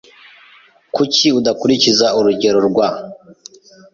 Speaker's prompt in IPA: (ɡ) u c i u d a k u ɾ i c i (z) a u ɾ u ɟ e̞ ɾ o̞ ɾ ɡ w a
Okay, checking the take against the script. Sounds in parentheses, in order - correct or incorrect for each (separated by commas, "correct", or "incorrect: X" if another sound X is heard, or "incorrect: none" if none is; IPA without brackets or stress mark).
incorrect: k, correct